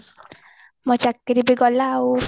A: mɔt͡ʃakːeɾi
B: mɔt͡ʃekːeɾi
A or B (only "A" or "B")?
A